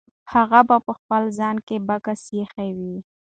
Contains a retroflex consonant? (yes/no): no